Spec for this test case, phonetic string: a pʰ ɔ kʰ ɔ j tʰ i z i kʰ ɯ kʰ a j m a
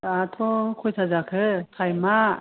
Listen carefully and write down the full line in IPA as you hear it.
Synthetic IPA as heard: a tʰ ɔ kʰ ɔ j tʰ a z a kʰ ɯ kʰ a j m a

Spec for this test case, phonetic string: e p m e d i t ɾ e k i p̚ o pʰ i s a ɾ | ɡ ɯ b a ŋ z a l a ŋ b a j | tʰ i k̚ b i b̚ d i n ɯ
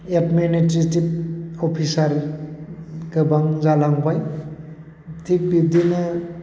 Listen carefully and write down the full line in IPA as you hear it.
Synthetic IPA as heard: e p m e n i t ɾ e t i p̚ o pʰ i s a ɾ | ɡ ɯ b a ŋ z a l a ŋ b a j | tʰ i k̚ b i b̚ d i n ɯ

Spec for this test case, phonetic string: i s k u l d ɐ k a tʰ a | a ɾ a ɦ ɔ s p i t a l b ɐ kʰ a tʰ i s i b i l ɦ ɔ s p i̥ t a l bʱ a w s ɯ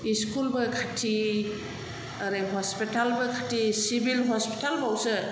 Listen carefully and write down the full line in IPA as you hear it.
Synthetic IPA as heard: i s k u l b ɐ kʰ a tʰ i | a ɾ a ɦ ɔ s p i t a l b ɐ kʰ a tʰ i s i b i l ɦ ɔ s p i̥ t a l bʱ a w s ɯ

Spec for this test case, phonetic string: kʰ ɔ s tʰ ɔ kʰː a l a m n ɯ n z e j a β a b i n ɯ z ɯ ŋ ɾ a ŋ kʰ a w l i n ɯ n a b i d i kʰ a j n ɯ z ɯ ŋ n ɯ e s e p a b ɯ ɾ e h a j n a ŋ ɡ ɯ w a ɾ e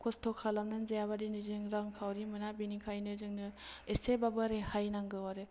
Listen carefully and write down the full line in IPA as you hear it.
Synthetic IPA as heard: kʰ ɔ s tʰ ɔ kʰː a l a m n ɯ n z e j a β a d i n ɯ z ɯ ŋ ɾ a ŋ kʰ a w ɾ i m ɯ n a b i n i kʰ a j n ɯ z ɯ ŋ n ɯ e s e b a b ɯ ɾ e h a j n a ŋ ɡ ɯ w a ɾ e

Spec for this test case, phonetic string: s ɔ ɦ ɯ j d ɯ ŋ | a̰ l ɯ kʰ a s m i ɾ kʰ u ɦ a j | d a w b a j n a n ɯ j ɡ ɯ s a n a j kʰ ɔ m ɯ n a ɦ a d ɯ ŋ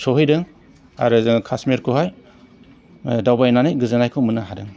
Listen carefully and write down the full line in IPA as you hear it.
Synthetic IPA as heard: s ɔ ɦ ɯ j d ɯ ŋ | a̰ ɾ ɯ kʰ a s m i ɾ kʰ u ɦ a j | d a w b a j n a n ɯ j ɡ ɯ z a n a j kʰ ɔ m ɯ n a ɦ a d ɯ ŋ

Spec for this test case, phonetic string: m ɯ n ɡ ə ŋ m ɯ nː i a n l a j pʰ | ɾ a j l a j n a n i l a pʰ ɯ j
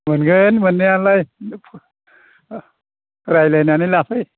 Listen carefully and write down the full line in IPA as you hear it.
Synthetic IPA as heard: m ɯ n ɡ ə n m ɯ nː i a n l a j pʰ | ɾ a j l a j n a n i l a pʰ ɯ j

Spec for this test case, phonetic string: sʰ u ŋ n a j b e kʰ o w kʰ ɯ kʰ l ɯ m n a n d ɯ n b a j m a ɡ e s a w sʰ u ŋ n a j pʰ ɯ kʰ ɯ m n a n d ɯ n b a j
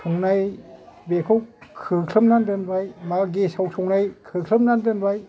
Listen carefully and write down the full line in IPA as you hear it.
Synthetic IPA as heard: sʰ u ŋ n a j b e kʰ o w kʰ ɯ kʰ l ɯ m n a n d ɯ n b a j m a ɡ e s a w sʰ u ŋ n a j kʰ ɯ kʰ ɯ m n a n d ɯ n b a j

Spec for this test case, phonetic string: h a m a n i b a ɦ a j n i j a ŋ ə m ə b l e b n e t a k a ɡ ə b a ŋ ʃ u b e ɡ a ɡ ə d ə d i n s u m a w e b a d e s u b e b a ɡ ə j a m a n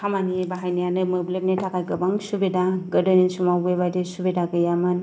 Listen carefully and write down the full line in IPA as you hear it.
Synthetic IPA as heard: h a m a n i b a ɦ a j n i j a n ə m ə b l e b n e t a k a ɡ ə b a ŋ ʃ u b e d a ɡ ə d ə n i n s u m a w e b a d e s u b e d a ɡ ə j a m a n

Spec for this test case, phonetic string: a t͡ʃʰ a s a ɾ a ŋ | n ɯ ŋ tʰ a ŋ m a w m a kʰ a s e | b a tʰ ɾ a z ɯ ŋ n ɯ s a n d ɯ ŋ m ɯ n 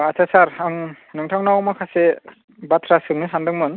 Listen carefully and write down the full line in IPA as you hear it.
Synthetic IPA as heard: a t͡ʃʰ a s a ɾ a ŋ | n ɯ ŋ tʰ a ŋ n a w m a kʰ a s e | b a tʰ ɾ a s ɯ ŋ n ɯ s a n d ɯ ŋ m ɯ n

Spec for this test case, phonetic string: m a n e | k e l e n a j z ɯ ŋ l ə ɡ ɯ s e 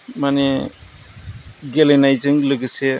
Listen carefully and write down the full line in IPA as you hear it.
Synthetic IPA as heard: m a n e | ɡ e l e n a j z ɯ ŋ l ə ɡ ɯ s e

